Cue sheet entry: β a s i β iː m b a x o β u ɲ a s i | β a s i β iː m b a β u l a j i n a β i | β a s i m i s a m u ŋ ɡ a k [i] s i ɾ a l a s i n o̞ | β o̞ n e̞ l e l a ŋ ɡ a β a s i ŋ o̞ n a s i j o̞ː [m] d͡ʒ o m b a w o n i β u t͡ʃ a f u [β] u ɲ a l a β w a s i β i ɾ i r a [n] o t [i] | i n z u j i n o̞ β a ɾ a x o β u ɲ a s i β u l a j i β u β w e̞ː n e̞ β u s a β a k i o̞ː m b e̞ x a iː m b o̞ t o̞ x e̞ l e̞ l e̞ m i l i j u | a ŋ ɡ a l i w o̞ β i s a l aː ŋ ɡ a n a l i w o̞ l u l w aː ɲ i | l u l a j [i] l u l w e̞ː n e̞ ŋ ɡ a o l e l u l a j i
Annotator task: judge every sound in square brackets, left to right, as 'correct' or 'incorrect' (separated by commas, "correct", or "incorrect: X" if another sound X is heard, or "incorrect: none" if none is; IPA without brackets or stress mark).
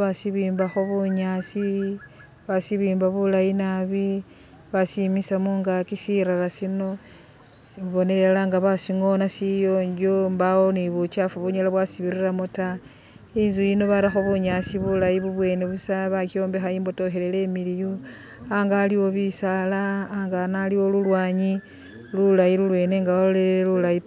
correct, incorrect: ɲ, correct, incorrect: m, incorrect: a, correct